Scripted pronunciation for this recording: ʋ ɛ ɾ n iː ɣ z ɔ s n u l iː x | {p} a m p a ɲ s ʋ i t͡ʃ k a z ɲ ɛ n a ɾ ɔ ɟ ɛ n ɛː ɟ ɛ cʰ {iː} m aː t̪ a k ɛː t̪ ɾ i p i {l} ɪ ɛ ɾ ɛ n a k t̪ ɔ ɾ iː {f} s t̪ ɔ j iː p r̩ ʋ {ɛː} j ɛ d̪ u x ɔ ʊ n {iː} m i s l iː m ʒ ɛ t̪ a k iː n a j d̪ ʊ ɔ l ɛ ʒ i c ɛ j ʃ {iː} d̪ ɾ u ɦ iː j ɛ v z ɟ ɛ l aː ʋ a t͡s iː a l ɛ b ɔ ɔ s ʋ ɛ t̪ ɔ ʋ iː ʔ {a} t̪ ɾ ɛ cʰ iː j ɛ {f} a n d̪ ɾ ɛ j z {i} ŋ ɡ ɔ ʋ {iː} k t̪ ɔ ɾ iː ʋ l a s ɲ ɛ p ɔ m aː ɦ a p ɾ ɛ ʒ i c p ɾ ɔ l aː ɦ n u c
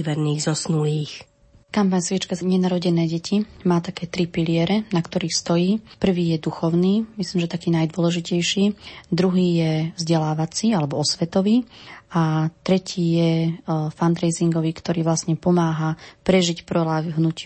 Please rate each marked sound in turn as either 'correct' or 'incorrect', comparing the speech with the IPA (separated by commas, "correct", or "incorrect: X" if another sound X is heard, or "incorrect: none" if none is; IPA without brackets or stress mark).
incorrect: k, incorrect: i, correct, incorrect: x, incorrect: iː, correct, correct, correct, correct, correct, correct